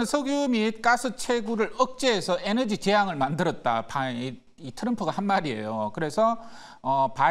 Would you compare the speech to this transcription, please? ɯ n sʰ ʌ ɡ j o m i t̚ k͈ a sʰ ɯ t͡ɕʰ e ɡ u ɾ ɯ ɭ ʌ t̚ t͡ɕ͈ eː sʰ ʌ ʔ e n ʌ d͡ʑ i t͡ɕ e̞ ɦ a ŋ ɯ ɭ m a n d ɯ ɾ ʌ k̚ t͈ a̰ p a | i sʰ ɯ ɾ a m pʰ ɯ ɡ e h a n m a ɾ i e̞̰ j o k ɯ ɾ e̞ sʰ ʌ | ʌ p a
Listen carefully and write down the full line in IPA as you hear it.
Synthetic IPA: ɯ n sʰ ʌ ɡ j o m i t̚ k͈ a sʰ ɯ t͡ɕʰ e ɡ u ɾ ɯ ɭ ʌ k̚ t͡ɕ͈ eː sʰ ʌ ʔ e n ʌ d͡ʑ i t͡ɕ e̞ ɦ a ŋ ɯ ɭ m a n d ɯ ɾ ʌ t̚ t͈ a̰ p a | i tʰ ɯ ɾ ʌ m pʰ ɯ ɡ a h a n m a ɾ i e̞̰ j o k ɯ ɾ e̞ sʰ ʌ | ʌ p a